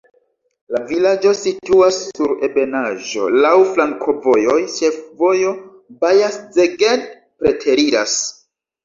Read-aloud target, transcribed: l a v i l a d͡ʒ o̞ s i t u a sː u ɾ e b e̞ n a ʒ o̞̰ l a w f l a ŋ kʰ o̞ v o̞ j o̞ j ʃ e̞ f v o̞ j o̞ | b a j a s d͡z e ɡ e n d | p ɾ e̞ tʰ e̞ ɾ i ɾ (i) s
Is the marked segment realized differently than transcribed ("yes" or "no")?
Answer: yes